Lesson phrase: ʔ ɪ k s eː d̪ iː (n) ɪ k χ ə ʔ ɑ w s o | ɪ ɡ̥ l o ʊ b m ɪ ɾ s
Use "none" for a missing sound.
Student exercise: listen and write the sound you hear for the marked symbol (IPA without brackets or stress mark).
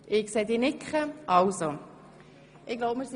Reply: n